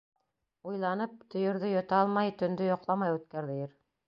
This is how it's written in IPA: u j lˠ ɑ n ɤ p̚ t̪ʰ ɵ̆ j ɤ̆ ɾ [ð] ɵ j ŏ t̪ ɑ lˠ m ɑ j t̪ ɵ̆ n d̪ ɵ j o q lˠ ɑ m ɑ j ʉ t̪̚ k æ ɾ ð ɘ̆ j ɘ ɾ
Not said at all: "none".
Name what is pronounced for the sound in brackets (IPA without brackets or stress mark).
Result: ð